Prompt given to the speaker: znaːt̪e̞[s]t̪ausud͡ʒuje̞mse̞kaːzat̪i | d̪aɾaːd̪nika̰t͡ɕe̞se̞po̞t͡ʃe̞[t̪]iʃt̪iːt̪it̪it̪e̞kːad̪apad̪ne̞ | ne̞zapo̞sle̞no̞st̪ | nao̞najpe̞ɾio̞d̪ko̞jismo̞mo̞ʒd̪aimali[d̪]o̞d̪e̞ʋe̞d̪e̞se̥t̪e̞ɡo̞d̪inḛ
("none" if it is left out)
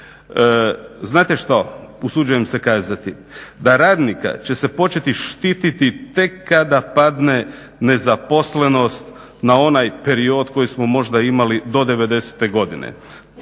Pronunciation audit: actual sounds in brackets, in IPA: ʃ, t̪, d̪

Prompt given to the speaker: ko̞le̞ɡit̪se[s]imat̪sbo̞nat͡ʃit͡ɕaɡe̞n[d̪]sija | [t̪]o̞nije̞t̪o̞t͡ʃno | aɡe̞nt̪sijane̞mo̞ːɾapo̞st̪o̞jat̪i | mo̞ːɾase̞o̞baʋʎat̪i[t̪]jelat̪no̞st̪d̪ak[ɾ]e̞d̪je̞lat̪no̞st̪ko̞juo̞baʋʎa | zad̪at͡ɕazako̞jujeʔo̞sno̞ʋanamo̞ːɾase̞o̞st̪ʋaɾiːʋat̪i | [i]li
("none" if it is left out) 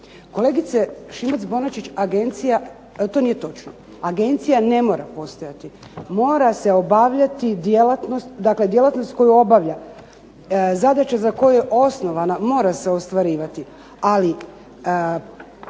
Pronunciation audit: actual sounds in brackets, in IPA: ʃ, t̪, t̪, d̪, l, a

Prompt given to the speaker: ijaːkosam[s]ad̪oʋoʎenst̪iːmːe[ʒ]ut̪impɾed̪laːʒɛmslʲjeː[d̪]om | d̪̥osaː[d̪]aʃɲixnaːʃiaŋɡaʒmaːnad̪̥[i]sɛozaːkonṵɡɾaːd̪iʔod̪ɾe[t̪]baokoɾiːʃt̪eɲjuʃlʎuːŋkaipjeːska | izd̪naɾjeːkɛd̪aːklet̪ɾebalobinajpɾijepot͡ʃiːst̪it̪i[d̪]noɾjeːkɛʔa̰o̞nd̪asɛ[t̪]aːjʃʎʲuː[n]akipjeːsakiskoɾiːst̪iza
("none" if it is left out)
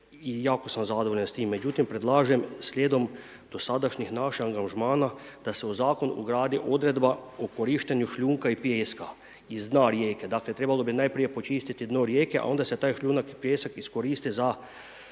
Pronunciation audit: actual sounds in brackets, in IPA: z, d͡ʒ, d̪, d̪, a, d̪, d̪, t̪, n

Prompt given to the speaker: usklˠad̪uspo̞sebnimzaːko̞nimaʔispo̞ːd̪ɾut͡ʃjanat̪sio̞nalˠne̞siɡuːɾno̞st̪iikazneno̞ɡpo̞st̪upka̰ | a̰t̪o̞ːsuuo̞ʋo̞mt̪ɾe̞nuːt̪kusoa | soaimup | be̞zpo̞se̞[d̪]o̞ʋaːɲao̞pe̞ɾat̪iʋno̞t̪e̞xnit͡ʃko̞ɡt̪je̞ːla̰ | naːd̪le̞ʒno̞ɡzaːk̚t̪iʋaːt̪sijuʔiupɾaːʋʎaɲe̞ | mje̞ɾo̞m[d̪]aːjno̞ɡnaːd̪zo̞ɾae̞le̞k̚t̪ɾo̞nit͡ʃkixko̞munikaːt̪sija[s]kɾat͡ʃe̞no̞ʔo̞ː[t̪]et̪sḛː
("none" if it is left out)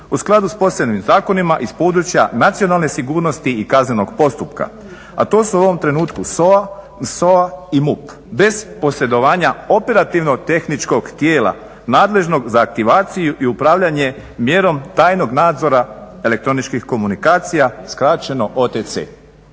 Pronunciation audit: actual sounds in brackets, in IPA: d̪, t̪, s, t̪

